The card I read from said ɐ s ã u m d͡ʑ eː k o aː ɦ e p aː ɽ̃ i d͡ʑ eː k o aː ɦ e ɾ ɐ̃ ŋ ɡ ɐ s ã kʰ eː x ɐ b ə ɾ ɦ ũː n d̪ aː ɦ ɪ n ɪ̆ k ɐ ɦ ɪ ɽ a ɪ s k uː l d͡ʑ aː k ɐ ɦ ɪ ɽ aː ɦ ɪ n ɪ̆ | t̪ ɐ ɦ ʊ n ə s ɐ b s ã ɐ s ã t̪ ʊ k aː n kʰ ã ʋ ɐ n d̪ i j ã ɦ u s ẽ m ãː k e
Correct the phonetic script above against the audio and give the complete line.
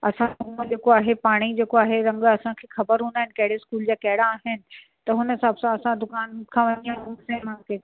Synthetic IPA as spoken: ɐ s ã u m d͡ʑ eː k o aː ɦ e p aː ɽ̃ i d͡ʑ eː k o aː ɦ e ɾ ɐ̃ ŋ ɡ ɐ s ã kʰ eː x ɐ b ə ɾ ɦ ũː n d̪ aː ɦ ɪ n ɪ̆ k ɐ ɦ ɪ ɽ e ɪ s k uː l d͡ʑ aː k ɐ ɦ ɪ ɽ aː ɦ ɪ n ɪ̆ | t̪ ɐ ɦ ʊ n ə s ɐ b s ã ɐ s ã d̪ ʊ k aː n kʰ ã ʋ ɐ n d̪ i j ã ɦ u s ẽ m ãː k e